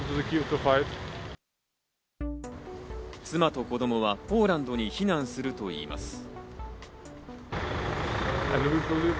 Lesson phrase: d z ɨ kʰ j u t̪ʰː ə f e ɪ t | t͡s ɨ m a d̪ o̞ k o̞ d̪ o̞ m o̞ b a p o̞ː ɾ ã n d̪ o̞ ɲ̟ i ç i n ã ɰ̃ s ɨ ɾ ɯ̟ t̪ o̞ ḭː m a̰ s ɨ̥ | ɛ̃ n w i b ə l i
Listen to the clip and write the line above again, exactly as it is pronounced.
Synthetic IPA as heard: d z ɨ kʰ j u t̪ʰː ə f a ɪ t | t͡s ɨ m a t̪ o̞ k o̞ d̪ o̞ m o̞ β a p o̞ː ɾ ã n d̪ o̞ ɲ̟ i ç i n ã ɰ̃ s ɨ ɾ ɯ̟ t̪ o̞ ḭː m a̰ s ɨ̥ | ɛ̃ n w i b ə l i

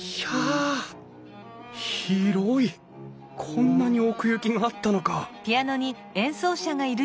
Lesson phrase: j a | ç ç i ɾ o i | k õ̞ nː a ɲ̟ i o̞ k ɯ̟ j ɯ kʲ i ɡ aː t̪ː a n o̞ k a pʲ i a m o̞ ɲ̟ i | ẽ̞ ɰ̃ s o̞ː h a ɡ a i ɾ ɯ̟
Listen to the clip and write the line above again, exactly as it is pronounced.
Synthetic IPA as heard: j a | ç ç i ɾ o i | kʰ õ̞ nː a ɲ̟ i o̞ k ɯ̟ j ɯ kʲ i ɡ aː t̪ː a n o̞ k a pʲ i a n o̞ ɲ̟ i | ẽ̞ ɰ̃ s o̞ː ɕ a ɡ a i ɾ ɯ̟

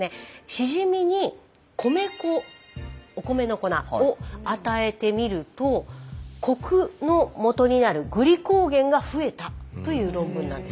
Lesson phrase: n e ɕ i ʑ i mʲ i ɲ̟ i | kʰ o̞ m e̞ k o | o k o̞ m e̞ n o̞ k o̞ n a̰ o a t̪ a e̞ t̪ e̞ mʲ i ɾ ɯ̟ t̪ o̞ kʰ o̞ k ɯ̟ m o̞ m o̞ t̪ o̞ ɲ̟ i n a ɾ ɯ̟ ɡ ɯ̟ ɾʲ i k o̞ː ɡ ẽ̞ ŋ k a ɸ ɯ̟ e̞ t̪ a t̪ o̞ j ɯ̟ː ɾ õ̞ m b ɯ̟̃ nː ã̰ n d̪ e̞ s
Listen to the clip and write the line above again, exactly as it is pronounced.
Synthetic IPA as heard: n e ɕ i ʑ i mʲ i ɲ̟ i | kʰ o̞ m e̞ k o | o k o̞ m e̞ n o̞ k o̞ n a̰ o a t̪ a e̞ t̪ e̞ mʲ i ɾ ɯ̟ t̪ o̞ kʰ o̞ k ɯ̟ n o̞ m o̞ t̪ o̞ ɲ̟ i n a ɾ ɯ̟ ɡ ɯ̟ ɾʲ i k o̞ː ɡ ẽ̞ ŋ ɡ a ɸ ɯ̟ e̞ t̪ a t̪ o̞ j ɯ̟ː ɾ õ̞ m b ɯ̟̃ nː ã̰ n d̪ e̞ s

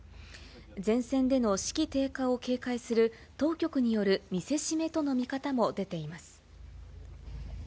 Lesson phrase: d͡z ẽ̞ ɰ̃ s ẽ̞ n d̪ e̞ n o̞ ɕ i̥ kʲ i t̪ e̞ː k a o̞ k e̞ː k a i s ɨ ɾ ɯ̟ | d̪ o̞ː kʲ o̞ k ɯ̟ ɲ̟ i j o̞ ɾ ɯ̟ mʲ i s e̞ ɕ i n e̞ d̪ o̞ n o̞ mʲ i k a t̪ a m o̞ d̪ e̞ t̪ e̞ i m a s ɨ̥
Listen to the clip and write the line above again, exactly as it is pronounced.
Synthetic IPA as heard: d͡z ẽ̞ ɰ̃ s ẽ̞ n d̪ e̞ n o̞ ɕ i̥ kʲ i t̪ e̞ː k a o̞ k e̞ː k a i s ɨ ɾ ɯ̟ | t̪ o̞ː kʲ o̞ k ɯ̟ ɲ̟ i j o̞ ɾ ɯ̟ mʲ i s e̞ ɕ i m e̞ t̪ o̞ n o̞ mʲ i k a t̪ a m o̞ d̪ e̞ t̪ e̞ i m a s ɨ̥

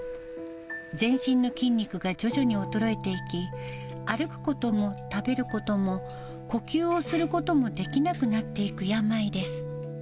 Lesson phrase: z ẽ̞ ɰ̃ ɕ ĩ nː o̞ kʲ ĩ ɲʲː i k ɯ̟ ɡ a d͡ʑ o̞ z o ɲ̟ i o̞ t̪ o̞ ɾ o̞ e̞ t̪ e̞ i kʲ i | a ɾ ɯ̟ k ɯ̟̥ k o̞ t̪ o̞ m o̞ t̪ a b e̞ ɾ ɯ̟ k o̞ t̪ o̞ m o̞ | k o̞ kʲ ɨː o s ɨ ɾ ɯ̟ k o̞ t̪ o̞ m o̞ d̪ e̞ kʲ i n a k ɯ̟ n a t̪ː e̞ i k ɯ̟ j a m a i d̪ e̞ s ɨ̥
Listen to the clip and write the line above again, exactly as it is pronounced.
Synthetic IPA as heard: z ẽ̞ ɰ̃ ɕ ĩ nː o̞ kʲ ĩ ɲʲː i k ɯ̟ ɡ a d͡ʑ o̞ ʑ o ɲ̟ i o̞ t̪ o̞ ɾ o̞ e̞ t̪ e̞ i kʲ i | a ɾ ɯ̟ k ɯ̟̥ k o̞ t̪ o̞ m o̞ t̪ a b e̞ ɾ ɯ̟ k o̞ t̪ o̞ m o̞ | k o̞ kʲ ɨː o s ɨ ɾ ɯ̟ k o̞ t̪ o̞ m o̞ d̪ e̞ kʲ i n a k ɯ̟ n a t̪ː e̞ i k ɯ̟ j a m a i d̪ e̞ s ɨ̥

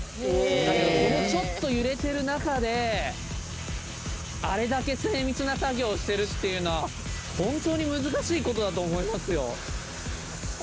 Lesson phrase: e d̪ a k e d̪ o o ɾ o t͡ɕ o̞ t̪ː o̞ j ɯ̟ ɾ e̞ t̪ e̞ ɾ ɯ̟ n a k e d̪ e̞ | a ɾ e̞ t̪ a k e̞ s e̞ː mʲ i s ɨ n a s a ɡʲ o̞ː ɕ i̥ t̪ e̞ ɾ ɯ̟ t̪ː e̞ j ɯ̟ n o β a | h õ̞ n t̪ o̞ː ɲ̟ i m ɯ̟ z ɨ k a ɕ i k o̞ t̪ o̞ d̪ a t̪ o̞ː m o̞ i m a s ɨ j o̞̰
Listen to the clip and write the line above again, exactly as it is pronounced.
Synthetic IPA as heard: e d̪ a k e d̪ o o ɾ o t͡ɕ o̞ t̪ː o̞ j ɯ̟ ɾ e̞ t̪ e̞ ɾ ɯ̟ n a k a d̪ e̞ | a ɾ e̞ d̪ a k e̞ s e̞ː mʲ i t͡s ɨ n a s a ɡʲ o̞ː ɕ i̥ t̪ e̞ ɾ ɯ̟ t̪ː e̞ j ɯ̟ n o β a | h õ̞ n t̪ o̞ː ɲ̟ i m ɯ̟ z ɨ k a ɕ iː k o̞ t̪ o̞ d̪ a t̪ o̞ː m o̞ i m a s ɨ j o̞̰

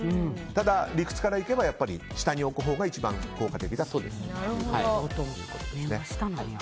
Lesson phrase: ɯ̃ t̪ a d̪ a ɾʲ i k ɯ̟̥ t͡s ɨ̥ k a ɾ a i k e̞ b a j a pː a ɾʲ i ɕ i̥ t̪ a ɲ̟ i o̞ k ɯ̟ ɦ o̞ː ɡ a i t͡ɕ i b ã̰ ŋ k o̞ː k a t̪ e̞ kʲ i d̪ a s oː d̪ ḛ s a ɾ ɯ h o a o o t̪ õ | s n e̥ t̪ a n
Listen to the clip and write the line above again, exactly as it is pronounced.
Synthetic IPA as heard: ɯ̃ t̪ a d̪ a ɾʲ i k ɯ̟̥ t͡s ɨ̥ k a ɾ a i k e̞ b a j a pː a ɾʲ i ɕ i̥ t̪ a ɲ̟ i o̞ k ɯ̟ ɦ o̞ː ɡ a i t͡ɕ i b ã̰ ŋ k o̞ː k a t̪ e̞ kʲ i d̪ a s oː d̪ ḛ s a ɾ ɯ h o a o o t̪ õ | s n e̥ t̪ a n

